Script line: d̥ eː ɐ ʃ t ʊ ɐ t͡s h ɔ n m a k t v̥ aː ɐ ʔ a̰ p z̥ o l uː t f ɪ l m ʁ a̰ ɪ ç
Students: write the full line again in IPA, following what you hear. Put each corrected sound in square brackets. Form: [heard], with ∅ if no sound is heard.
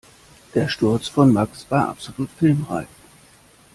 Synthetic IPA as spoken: d̥ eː ɐ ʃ t ʊ ɐ t͡s [f] ɔ n m a k [s] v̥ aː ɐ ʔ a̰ p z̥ o l uː t f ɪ l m ʁ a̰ ɪ ç